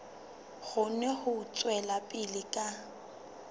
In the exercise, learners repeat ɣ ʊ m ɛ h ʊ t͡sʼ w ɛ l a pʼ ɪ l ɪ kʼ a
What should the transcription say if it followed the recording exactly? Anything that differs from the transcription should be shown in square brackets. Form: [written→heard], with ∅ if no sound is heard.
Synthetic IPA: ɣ ʊ [m→n] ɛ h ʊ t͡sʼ w ɛ l a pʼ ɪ l ɪ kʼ a